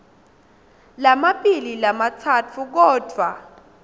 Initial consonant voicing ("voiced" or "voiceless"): voiced